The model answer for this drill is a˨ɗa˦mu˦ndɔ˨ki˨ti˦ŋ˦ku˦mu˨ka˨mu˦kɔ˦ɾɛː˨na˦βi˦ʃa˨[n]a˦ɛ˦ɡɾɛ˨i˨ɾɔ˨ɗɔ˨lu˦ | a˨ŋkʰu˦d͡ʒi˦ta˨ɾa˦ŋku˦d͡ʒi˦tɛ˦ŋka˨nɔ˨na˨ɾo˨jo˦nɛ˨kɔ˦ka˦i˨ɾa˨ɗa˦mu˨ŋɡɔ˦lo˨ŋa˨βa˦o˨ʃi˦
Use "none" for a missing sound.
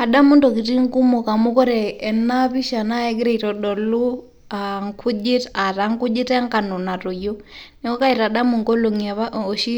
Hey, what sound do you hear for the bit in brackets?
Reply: n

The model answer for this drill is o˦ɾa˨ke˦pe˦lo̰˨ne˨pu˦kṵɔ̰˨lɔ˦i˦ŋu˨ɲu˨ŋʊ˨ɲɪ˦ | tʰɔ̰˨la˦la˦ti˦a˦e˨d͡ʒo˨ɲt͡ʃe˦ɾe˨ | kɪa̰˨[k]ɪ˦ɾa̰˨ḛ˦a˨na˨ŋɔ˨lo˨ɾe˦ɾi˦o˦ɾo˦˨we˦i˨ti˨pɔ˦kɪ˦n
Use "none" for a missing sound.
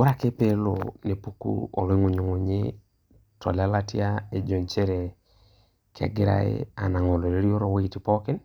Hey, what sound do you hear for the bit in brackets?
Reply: ɡ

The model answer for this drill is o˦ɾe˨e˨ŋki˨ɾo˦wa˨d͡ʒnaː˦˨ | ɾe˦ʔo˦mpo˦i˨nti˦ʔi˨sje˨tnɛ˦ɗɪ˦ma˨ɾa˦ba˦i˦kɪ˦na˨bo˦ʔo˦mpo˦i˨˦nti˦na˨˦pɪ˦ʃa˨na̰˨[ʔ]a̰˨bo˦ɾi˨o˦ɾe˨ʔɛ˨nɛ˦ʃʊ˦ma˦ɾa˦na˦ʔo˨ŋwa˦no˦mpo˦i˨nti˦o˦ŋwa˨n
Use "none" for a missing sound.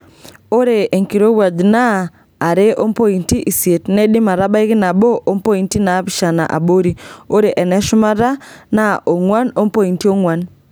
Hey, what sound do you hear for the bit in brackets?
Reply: ʔ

